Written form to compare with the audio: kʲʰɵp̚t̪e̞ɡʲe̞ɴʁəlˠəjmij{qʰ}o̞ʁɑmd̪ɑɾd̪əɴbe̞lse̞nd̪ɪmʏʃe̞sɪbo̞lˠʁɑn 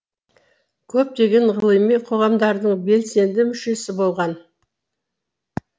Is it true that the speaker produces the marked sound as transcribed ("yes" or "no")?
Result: yes